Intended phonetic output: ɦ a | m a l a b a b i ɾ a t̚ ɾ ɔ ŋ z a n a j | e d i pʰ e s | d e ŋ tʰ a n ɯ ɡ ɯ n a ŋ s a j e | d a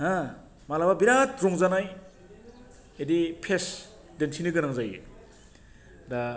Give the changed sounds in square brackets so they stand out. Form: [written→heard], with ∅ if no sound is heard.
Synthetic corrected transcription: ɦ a | m a l a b a b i ɾ a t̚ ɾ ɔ ŋ z a n a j | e d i pʰ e s | d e [ŋ→n] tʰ [a→i] n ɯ ɡ ɯ n a ŋ [s→z] a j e | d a